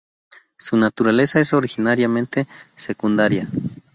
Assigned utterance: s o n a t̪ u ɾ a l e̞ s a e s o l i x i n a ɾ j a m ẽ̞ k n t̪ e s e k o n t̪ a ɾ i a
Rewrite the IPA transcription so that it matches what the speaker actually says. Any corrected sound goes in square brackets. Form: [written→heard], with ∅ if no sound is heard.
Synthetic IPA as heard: s [o→u] n a t̪ u ɾ a l e̞ s a e s o [l→ɾ] i x i n a ɾ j a m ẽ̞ [k→∅] n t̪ e s e k [o→u] n [t̪→d̪] a ɾ [i→j] a

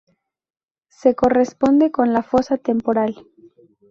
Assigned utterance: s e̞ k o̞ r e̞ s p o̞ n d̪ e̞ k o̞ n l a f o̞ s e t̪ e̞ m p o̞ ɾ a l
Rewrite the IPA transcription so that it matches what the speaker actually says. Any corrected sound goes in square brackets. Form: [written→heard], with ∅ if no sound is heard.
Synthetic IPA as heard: s e̞ k o̞ r e̞ s p o̞ n d̪ e̞ k o̞ n l a f o̞ s [e→a] t̪ e̞ m p o̞ ɾ a l

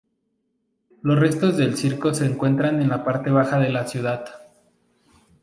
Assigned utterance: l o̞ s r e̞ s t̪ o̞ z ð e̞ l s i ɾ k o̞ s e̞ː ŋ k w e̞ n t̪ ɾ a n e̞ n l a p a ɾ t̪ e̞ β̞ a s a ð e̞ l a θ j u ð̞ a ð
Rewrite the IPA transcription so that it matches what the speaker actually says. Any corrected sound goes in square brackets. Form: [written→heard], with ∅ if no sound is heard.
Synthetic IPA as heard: l o̞ s r e̞ s t̪ o̞ z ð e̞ l s i ɾ k o̞ s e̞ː ŋ k w e̞ n t̪ ɾ a n e̞ n l a p a ɾ t̪ e̞ β̞ a [s→x] a ð e̞ l a [θ→s] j u ð̞ a ð

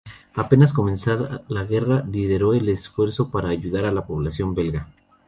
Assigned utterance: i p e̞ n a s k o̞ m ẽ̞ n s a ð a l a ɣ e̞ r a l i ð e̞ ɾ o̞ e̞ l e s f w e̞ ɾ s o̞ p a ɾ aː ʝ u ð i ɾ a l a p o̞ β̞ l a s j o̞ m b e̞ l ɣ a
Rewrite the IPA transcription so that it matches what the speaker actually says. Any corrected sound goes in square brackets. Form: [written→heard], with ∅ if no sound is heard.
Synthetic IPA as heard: [i→a] p e̞ n a s k o̞ m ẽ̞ n s a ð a l a ɣ e̞ r a l i ð e̞ ɾ o̞ e̞ l e s f w e̞ ɾ s o̞ p a ɾ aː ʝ u ð [i→a] ɾ a l a p o̞ β̞ l a s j o̞ m b e̞ l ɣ a

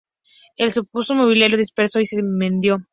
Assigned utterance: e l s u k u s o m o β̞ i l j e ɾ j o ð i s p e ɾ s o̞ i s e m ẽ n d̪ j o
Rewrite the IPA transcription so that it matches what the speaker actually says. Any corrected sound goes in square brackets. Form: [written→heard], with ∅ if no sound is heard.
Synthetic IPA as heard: e l s u [k→p] u s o m o β̞ i l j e ɾ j o ð i s p e ɾ s o̞ i s e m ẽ n d̪ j o

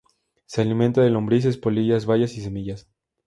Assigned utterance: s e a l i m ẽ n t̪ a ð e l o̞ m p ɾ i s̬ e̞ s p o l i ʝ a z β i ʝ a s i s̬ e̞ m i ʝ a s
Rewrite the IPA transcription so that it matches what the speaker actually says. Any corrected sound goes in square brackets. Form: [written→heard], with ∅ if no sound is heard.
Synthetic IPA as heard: s e a l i m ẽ n t̪ a ð e l o̞ m [p→b] ɾ i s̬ e̞ s p o l i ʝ a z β [i→a] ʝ a s i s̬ e̞ m i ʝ a s

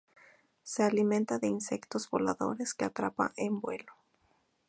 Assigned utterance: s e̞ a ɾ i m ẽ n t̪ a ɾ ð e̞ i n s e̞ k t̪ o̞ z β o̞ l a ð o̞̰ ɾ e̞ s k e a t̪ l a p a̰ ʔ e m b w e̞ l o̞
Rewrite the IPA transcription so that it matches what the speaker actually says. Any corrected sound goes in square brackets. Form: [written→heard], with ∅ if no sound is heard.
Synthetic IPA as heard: s e̞ a [ɾ→l] i m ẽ n t̪ a [ɾ→∅] ð e̞ i n s e̞ k t̪ o̞ z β o̞ l a ð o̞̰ ɾ e̞ s k e a t̪ [l→ɾ] a p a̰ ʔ e m b w e̞ l o̞

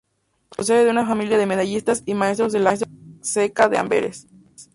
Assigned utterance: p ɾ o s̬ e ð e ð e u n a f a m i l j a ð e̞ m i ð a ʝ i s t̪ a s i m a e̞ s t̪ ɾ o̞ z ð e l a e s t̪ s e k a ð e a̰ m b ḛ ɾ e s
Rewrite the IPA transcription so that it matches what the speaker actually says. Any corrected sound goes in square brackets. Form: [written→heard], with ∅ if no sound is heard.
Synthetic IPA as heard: p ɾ o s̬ e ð e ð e u n a f a m i l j a ð e̞ m [i→e] ð a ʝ i s t̪ a s i m a e̞ s t̪ ɾ o̞ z ð e l a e s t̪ s e k a ð e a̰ m b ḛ ɾ e s

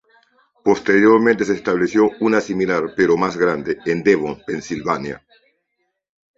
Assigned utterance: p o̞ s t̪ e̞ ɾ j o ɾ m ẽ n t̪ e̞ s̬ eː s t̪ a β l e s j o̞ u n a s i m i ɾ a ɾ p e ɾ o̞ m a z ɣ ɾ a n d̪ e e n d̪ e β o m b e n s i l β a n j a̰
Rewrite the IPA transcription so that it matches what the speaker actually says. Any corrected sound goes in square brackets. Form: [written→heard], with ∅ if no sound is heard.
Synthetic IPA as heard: p o̞ s t̪ e̞ ɾ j o ɾ m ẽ n t̪ e̞ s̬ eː s t̪ a β l e s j o̞ u n a s i m i [ɾ→l] a ɾ p e ɾ o̞ m a z ɣ ɾ a n d̪ e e n d̪ e β o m [b→p] e n s i l β a n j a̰

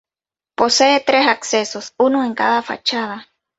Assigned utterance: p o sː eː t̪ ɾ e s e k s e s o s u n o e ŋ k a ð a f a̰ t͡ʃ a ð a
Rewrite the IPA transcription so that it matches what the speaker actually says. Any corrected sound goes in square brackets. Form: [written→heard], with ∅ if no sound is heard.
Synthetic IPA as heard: p o [sː→s] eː t̪ ɾ e s [e→a] k s e s o s u n o e ŋ k a ð a f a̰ t͡ʃ a ð a

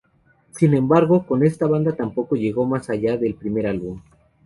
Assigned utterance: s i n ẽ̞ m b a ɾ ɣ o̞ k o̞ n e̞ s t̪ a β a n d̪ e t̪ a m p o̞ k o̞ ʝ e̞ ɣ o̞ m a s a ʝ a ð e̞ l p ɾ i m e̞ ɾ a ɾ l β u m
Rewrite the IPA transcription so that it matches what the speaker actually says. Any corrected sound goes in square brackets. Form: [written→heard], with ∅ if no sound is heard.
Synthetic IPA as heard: s i n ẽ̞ m b a ɾ ɣ o̞ k o̞ n e̞ s t̪ a β a n d̪ [e→a] t̪ a m p o̞ k o̞ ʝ e̞ ɣ o̞ m a s a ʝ a ð e̞ l p ɾ i m e̞ ɾ a [ɾ→∅] l β u m

